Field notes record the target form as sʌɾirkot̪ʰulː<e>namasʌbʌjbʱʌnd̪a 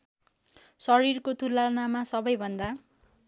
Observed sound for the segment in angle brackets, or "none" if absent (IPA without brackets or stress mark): a